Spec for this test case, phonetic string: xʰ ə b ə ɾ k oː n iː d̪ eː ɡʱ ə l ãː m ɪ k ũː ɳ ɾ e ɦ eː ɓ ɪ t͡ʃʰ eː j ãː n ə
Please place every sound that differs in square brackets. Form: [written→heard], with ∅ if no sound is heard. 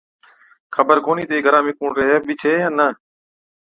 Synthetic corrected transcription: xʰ ə b ə ɾ k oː n iː [d̪→t̪] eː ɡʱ ə [l→ɾ] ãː m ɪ k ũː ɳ ɾ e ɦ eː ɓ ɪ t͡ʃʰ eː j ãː n ə